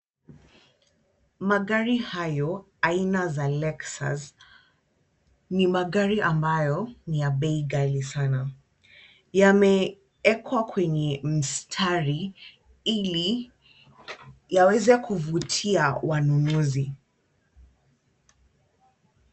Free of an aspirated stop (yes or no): no